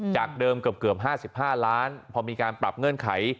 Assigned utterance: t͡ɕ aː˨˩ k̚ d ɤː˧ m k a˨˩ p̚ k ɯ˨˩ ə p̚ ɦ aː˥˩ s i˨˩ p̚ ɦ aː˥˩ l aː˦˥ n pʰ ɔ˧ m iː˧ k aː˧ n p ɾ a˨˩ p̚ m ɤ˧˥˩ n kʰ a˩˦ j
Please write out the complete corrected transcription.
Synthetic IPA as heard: t͡ɕ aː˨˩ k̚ d ɤː˧ m k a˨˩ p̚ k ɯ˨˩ ə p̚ ɦ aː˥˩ s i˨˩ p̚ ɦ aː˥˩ l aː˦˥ n pʰ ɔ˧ m iː˧ k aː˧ n p ɾ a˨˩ p̚ ŋ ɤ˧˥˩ n kʰ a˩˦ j